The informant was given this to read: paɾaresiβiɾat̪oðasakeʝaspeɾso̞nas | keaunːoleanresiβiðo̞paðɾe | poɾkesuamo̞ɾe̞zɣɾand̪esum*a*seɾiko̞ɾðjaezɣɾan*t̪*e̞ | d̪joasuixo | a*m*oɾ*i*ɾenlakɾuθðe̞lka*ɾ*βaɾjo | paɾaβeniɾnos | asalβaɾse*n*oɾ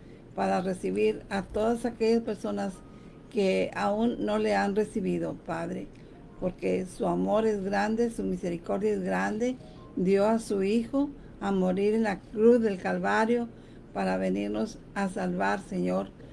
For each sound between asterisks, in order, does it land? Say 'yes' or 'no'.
no, no, yes, yes, no, no

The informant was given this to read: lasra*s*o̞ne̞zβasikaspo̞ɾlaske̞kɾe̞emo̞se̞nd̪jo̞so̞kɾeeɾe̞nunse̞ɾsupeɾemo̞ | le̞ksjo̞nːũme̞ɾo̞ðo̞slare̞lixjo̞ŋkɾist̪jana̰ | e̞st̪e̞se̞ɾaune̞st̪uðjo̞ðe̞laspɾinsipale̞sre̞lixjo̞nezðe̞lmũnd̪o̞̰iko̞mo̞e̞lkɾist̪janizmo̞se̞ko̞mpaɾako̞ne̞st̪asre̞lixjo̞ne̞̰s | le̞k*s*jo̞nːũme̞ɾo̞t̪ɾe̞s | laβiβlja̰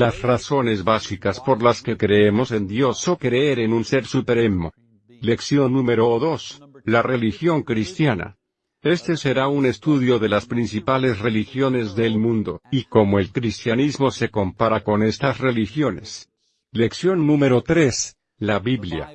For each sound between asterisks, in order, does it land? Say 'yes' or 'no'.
yes, yes

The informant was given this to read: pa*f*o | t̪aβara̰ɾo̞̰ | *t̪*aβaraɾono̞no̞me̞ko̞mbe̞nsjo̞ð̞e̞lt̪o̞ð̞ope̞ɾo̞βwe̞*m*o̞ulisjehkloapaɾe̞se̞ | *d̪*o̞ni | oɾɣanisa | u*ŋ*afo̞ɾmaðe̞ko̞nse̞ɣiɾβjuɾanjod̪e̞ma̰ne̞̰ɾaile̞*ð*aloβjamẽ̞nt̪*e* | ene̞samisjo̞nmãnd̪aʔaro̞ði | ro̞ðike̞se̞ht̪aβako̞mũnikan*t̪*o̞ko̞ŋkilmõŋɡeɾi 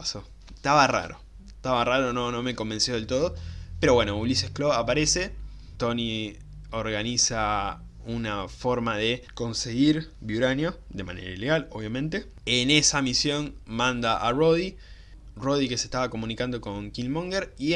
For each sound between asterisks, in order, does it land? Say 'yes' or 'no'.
no, yes, no, no, no, no, yes, no

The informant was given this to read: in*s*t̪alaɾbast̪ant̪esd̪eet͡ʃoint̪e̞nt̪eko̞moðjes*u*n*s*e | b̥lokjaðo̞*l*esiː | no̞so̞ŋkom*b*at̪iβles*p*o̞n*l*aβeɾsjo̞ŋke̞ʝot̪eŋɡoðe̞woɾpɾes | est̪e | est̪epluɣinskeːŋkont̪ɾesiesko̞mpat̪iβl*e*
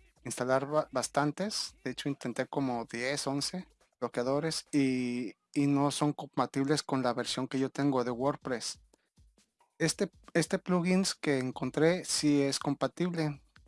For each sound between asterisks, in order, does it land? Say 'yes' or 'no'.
yes, no, yes, no, no, no, yes, yes

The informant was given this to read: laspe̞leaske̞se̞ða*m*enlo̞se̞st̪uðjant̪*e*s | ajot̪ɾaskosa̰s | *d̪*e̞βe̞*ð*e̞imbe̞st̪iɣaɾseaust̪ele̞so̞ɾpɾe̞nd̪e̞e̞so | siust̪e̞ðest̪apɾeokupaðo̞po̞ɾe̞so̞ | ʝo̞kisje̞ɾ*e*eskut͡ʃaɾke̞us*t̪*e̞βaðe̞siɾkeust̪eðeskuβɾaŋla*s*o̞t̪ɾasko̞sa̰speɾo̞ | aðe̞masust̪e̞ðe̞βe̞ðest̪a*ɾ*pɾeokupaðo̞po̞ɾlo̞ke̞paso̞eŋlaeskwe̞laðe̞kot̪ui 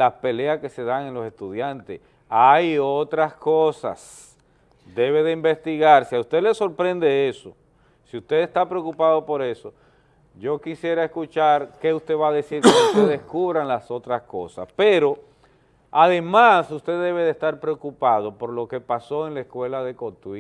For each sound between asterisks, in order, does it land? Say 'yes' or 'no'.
no, yes, yes, yes, no, yes, yes, yes

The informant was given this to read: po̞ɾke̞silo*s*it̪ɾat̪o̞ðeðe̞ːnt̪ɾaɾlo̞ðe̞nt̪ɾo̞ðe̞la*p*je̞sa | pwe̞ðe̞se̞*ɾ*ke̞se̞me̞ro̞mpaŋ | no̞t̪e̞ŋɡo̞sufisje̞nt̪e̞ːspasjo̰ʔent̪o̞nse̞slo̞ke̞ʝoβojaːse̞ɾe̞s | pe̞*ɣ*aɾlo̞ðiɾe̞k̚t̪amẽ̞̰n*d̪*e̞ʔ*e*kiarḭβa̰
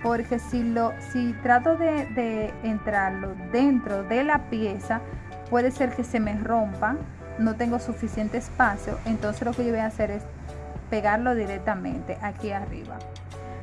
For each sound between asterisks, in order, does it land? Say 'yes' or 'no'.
yes, yes, yes, yes, no, no

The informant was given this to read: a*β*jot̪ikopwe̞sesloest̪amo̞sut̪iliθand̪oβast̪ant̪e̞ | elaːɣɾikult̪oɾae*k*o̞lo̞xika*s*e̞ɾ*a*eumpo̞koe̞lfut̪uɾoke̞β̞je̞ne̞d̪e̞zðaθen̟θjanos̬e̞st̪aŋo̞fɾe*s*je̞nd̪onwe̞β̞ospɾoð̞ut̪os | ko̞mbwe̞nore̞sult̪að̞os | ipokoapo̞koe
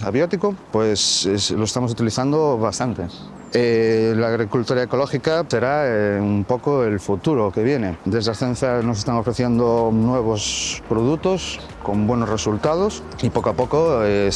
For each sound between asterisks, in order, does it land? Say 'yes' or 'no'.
yes, yes, yes, yes, no

